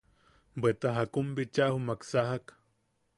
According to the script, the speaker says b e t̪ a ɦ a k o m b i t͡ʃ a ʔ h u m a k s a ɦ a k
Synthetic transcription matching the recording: b e t̪ a ɦ a k u m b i t͡ʃ a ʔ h u m a k s a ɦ a k